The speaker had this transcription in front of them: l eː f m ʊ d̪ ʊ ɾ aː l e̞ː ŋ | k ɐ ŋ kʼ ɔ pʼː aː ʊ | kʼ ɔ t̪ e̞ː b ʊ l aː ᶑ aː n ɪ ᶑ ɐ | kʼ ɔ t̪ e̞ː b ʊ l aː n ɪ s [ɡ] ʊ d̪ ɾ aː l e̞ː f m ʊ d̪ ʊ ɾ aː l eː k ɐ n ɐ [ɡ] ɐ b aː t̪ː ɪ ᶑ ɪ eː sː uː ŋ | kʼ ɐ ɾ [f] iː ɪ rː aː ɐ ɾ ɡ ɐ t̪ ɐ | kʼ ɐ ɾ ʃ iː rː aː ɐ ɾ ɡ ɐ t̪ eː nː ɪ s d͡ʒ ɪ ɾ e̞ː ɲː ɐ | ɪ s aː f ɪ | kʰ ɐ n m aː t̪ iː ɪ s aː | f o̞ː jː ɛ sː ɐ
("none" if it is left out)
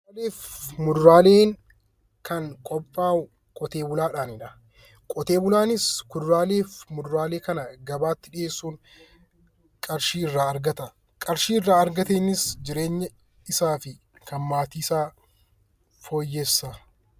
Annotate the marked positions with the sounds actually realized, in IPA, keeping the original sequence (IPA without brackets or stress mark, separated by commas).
k, ɡ, ʃ